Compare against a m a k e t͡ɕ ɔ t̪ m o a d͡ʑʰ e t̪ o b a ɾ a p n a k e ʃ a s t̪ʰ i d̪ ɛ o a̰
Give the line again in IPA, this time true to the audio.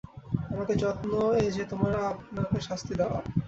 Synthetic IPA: a m a k e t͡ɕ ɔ t̪ n o e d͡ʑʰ e t̪ o m a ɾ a p n a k e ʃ a s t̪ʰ i d̪ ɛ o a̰